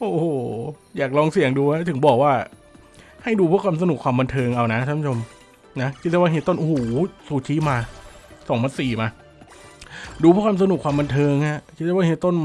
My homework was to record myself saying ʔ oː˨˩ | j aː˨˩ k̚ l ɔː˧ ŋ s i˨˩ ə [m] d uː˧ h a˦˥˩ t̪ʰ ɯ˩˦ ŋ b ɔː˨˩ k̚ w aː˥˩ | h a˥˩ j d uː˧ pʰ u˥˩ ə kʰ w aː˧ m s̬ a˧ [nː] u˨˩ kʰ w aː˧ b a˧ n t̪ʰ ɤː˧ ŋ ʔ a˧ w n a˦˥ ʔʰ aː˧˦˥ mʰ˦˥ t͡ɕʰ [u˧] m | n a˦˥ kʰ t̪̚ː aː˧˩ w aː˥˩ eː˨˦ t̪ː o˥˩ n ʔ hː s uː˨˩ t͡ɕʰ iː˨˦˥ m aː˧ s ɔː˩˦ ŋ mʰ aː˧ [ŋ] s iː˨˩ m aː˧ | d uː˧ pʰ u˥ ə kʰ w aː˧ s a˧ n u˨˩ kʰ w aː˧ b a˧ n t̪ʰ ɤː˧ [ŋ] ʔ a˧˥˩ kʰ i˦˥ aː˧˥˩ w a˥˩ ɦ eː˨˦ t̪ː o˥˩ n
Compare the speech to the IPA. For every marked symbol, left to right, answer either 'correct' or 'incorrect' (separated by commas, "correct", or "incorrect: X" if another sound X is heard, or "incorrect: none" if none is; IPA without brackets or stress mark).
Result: incorrect: ŋ, incorrect: n, incorrect: o˧, incorrect: n, correct